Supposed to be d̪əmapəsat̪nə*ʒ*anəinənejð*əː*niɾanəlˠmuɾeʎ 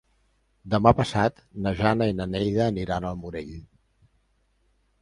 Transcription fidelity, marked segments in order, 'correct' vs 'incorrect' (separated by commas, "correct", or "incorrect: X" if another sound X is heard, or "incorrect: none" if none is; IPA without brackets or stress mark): correct, correct